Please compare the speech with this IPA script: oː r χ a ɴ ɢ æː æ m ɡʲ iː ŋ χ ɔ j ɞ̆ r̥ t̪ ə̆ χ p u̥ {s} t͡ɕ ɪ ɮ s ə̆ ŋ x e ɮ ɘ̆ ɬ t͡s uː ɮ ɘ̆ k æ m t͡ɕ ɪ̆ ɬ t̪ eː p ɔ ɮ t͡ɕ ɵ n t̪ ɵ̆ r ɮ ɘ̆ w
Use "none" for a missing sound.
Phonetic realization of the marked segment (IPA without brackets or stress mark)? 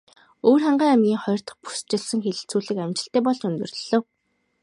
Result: s